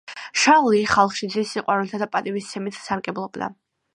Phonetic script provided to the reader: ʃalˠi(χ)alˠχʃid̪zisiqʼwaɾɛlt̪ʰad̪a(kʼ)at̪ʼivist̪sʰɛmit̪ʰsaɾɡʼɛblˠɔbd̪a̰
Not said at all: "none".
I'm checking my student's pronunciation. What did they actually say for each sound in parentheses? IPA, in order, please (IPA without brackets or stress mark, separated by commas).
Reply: χ, pʼ